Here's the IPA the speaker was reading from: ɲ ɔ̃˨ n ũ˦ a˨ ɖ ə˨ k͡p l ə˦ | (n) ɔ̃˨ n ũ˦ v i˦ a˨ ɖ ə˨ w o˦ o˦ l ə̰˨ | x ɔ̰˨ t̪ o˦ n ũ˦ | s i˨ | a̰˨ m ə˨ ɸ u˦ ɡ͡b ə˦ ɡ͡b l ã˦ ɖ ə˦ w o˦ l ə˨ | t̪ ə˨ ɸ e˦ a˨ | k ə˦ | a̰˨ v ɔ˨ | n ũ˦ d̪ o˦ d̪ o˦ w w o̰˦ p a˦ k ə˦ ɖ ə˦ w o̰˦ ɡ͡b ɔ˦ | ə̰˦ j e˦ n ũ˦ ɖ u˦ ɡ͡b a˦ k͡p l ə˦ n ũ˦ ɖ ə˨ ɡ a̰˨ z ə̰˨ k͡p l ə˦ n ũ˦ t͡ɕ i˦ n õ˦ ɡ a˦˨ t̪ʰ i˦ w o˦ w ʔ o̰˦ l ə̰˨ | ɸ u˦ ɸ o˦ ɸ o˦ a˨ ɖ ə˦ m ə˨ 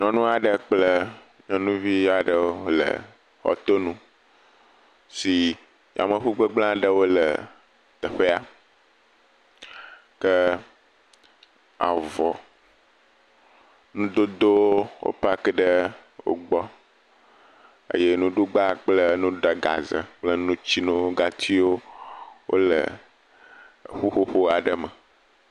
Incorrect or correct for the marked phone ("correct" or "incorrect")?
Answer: incorrect